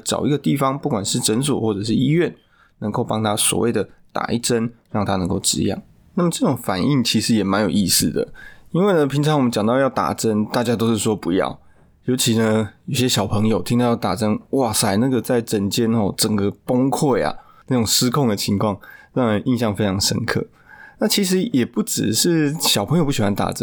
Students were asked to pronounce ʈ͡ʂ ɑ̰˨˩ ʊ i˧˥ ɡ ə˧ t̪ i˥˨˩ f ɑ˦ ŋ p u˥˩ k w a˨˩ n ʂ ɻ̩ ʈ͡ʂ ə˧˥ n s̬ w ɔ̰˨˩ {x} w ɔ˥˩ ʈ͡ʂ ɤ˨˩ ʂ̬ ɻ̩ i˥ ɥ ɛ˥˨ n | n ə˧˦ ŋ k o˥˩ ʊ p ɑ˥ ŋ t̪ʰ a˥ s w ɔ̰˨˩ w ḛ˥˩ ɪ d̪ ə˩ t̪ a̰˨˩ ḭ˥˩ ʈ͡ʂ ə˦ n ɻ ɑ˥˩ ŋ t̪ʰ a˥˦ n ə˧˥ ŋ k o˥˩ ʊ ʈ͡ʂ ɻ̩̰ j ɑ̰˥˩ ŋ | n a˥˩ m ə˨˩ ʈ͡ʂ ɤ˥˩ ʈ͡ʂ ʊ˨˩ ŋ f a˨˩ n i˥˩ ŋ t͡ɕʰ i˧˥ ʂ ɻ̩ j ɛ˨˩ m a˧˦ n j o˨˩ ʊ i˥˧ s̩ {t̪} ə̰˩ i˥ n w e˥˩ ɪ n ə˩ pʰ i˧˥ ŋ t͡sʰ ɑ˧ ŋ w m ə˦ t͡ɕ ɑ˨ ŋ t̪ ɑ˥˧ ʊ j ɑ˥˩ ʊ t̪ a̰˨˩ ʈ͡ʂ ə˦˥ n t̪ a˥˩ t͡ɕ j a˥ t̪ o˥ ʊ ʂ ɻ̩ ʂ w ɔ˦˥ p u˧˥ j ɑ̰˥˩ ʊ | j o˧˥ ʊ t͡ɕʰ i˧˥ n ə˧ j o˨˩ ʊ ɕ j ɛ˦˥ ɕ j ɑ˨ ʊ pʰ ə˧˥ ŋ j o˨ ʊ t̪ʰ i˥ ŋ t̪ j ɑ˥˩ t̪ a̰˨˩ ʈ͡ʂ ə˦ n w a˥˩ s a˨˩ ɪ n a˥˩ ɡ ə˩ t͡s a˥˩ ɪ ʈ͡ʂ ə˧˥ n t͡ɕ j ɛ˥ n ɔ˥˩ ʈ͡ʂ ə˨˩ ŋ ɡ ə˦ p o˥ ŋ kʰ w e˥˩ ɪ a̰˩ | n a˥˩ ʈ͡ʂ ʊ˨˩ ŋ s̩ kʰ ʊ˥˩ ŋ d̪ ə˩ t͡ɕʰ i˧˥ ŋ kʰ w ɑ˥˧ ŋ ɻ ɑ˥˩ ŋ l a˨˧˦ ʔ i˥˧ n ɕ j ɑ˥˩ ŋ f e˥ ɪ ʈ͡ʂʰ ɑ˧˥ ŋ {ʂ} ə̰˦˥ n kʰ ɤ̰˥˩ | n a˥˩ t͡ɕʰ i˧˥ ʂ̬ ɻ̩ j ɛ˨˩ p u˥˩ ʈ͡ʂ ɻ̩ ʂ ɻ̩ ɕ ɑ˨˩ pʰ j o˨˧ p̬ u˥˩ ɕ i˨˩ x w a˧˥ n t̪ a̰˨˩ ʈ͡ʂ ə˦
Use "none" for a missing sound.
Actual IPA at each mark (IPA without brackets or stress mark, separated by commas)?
x, d̪, ʂ